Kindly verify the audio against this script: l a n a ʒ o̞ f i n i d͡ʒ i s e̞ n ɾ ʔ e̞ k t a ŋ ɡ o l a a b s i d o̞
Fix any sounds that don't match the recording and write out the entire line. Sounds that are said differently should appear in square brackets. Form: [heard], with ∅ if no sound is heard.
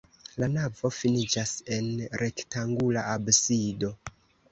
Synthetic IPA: l a n a [v] o̞ f i n i d͡ʒ [a] s e̞ n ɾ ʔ e̞ k t a ŋ ɡ [u] l a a b s i d o̞